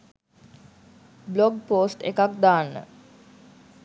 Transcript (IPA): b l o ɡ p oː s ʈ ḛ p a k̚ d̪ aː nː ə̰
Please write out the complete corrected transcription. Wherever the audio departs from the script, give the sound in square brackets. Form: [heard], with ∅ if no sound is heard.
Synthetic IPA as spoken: b l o ɡ p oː s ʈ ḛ [k] a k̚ d̪ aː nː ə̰